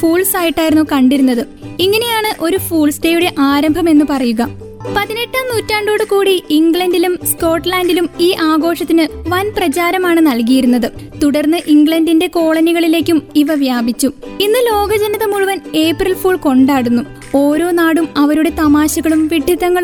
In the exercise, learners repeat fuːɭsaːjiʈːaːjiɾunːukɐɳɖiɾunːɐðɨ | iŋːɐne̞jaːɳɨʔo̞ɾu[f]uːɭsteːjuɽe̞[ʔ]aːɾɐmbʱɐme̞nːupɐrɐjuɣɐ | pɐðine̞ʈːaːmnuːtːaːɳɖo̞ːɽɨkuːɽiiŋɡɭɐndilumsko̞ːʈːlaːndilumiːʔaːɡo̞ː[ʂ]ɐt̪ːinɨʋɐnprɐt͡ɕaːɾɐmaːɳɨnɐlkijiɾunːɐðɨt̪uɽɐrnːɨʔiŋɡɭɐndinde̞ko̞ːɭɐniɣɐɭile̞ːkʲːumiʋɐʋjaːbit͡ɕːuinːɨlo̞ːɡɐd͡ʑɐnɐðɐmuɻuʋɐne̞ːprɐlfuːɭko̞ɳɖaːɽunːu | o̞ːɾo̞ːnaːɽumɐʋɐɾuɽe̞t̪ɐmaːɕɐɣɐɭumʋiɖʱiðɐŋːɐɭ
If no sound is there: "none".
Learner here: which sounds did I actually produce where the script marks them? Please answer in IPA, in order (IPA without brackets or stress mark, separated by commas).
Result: f, ʔ, ʂ